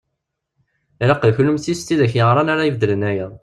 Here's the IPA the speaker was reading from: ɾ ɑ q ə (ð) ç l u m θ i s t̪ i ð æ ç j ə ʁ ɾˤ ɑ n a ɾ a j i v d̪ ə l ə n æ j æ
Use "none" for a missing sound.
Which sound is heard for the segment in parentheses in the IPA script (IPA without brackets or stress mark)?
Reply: ð